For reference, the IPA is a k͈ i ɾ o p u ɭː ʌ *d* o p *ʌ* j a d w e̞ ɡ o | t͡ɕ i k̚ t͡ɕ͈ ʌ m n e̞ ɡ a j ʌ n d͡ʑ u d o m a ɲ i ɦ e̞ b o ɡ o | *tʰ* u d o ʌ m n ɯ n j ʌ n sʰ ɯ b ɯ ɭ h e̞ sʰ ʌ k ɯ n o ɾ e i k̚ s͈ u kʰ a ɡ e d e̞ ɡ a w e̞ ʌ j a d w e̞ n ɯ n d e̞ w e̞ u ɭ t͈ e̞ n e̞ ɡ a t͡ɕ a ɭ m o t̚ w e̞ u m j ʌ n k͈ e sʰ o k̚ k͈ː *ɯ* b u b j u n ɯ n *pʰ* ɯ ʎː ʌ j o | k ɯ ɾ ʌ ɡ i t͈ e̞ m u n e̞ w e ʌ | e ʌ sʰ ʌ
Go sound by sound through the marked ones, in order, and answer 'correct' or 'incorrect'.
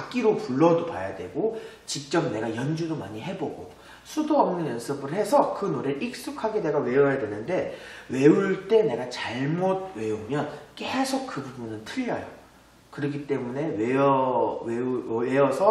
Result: correct, incorrect, incorrect, correct, incorrect

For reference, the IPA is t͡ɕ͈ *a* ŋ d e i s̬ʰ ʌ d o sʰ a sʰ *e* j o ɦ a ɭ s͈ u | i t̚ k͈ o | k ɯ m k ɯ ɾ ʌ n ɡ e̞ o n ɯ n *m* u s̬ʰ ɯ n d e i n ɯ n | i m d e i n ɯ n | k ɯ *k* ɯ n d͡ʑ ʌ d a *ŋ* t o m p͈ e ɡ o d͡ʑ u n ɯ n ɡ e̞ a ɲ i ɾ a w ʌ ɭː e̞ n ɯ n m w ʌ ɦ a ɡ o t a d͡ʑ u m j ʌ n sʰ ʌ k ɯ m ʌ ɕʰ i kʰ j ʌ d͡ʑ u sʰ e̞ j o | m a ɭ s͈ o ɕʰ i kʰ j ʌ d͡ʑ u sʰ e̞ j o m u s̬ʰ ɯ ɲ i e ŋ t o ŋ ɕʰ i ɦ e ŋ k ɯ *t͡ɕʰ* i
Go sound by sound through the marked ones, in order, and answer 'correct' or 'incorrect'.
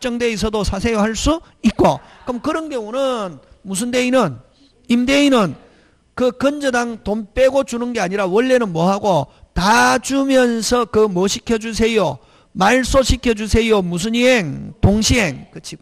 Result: incorrect, correct, correct, correct, correct, correct

